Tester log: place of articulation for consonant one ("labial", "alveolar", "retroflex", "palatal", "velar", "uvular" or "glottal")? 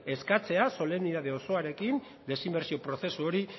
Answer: alveolar